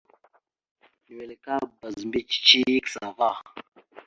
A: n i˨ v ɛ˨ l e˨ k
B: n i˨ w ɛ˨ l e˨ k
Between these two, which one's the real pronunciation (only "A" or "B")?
B